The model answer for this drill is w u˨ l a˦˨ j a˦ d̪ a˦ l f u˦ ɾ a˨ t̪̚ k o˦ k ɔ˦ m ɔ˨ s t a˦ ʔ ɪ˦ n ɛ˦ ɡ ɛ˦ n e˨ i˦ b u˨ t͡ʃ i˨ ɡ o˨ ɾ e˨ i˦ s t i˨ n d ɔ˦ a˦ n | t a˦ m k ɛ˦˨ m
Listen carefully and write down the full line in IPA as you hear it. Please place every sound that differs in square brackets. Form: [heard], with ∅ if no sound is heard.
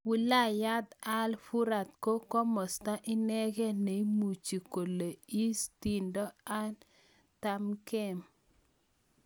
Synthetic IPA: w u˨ l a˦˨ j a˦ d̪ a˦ l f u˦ ɾ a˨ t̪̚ k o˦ k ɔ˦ m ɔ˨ s t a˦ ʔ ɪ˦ n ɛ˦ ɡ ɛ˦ n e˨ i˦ [m] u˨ t͡ʃ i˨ [k] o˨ [l] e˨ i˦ s t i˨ n d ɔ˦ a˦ n | t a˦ m k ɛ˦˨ m